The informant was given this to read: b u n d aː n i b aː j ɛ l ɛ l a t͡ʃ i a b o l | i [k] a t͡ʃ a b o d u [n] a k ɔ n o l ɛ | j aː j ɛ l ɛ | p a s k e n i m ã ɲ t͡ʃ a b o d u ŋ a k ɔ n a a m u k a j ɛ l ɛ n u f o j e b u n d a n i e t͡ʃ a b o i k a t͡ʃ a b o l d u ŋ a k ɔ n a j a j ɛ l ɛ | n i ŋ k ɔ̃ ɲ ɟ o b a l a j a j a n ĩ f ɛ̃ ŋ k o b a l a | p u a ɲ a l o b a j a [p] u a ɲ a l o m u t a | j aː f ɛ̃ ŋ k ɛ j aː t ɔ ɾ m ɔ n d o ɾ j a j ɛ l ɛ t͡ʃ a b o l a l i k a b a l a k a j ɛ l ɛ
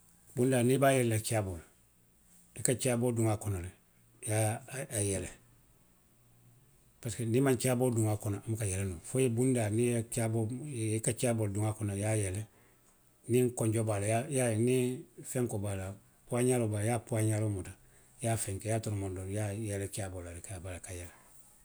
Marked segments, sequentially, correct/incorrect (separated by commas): correct, incorrect, correct